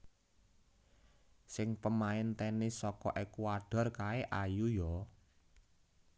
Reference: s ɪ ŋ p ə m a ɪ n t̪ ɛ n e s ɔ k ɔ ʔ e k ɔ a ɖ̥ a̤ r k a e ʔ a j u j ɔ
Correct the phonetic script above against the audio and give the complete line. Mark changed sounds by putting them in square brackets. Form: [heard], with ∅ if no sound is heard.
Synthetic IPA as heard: s ɪ ŋ p ə m a ɪ n t̪ ɛ n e s ɔ k ɔ ʔ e k [u] a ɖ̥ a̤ r k a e ʔ a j u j ɔ